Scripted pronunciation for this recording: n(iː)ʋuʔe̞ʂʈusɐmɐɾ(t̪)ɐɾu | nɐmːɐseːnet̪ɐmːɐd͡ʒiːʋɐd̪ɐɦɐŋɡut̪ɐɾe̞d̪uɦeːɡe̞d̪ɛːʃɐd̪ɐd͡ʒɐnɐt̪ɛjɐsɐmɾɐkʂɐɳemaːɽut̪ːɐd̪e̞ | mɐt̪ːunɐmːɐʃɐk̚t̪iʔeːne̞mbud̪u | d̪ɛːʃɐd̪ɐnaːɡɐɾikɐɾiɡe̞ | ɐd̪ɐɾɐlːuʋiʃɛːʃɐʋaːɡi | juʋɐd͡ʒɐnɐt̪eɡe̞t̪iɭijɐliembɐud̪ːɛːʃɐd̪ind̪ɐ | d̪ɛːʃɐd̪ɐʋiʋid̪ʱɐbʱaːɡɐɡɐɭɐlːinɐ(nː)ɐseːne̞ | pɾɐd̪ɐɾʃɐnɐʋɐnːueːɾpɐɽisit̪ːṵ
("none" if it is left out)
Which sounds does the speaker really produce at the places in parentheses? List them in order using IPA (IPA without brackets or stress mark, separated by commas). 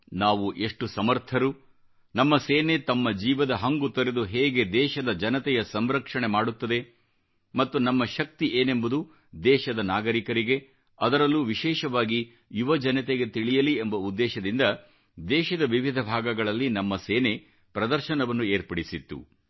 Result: aː, t̪ʰ, mː